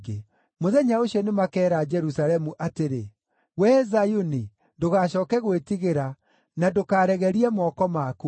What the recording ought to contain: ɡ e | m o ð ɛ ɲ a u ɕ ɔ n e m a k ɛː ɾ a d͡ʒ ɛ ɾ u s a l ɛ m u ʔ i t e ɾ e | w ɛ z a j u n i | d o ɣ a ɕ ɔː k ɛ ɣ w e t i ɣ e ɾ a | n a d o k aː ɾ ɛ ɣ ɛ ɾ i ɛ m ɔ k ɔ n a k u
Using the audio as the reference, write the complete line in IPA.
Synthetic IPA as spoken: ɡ e | m o ð ɛ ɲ a o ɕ ɔ n e m a k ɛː ɾ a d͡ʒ ɛ ɾ u s a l ɛ m u ʔ a t e ɾ e | w ɛ z a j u n i | d o ɣ a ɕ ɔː k ɛ ɣ w e t i ɣ e ɾ a | n a d o k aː ɾ ɛ ɣ ɛ ɾ i ɛ m ɔ k ɔ m a k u